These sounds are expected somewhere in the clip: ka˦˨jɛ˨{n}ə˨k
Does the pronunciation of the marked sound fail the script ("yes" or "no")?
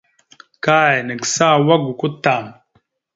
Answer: no